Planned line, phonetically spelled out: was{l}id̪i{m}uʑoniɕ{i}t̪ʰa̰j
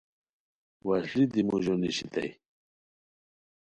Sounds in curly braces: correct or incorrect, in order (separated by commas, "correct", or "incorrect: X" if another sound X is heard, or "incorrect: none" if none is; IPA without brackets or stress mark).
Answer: correct, correct, correct